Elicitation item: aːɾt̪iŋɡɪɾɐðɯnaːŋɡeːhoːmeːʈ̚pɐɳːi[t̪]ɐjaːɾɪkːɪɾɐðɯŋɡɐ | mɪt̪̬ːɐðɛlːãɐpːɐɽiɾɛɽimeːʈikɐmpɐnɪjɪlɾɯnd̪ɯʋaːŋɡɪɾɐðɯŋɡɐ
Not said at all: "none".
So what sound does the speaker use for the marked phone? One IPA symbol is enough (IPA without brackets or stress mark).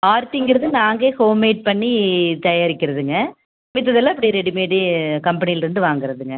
t̪